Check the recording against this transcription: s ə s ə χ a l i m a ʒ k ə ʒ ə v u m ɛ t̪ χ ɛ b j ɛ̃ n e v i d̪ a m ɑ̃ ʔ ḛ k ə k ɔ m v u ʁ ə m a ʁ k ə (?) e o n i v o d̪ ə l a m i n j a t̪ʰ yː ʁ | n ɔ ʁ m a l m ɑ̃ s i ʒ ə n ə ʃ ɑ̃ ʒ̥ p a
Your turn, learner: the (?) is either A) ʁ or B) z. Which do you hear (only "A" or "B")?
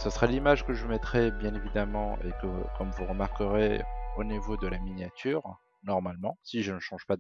A